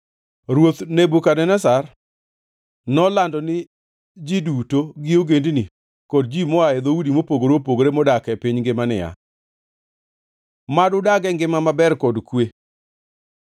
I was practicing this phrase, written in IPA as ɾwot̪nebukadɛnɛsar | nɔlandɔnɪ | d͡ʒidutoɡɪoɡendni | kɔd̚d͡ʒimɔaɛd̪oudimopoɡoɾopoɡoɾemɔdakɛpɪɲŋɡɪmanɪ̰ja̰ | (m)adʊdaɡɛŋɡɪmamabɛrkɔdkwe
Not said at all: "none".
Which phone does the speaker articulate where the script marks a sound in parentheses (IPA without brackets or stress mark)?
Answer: m